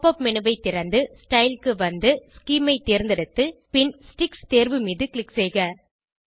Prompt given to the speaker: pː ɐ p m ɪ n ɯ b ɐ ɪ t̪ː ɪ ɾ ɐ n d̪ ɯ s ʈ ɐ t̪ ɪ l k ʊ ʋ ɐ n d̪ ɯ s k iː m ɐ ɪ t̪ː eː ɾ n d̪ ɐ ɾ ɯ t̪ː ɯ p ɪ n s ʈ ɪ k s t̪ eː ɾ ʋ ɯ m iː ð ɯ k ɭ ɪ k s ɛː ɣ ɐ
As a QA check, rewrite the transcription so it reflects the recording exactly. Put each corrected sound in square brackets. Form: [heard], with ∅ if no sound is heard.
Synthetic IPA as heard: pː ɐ p m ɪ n ɯ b ɐ ɪ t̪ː ɪ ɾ ɐ n d̪ ɯ s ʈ ɐ [∅] ɪ l k [ɯ] ʋ ɐ n d̪ ɯ s k iː m ɐ ɪ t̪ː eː ɾ n d̪ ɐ [ɽ] ɯ t̪ː ɯ p ɪ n s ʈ ɪ k s t̪ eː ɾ ʋ ɯ m iː ð ɯ k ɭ ɪ k s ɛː ɣ ɐ